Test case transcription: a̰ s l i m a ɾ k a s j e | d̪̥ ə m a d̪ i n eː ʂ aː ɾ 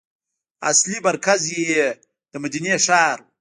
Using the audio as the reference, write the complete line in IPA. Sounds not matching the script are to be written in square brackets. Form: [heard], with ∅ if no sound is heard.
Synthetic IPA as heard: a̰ s l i m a ɾ k a [z] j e | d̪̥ ə m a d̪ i n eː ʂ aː ɾ